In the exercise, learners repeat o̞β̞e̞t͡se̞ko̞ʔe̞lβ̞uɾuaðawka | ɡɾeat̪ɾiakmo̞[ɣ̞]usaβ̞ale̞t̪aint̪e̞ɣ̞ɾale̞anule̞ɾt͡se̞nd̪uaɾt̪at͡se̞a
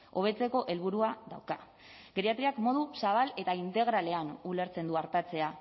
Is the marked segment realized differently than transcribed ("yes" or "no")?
yes